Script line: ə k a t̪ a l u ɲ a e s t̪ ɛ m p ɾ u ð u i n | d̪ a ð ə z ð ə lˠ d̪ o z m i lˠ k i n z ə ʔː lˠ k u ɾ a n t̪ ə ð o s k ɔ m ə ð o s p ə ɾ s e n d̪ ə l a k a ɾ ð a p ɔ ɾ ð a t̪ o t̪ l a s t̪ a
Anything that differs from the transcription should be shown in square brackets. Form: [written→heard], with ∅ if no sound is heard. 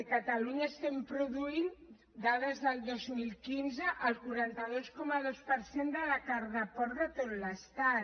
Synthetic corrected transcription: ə k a t̪ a l u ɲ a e s t̪ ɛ m p ɾ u ð u i n | d̪ a ð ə z ð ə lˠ d̪ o z m i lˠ k i n z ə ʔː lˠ k u ɾ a n t̪ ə ð o s k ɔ m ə ð o s p ə ɾ s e n d̪ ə l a k a ɾ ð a p ɔ ɾ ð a t̪ o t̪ l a s t̪ a